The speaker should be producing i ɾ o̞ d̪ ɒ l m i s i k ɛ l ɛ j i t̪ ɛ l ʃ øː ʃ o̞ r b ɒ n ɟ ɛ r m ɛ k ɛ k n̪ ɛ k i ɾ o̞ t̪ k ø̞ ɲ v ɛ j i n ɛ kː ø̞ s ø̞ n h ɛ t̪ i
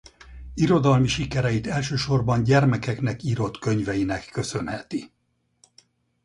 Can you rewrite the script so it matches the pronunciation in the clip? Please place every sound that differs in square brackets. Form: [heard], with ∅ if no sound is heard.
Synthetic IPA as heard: i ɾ o̞ d̪ ɒ l m i [ʃ] i k ɛ [ɾ] ɛ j i t̪ ɛ l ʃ øː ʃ o̞ r b ɒ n ɟ ɛ r m ɛ k ɛ k n̪ ɛ k i ɾ o̞ t̪ k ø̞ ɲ v ɛ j i n ɛ kː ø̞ s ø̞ n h ɛ t̪ i